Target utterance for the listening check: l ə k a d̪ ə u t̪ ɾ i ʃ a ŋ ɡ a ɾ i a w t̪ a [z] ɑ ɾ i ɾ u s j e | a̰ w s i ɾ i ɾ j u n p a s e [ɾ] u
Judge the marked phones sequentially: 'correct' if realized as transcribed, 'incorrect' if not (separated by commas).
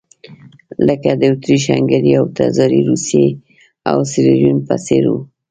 correct, correct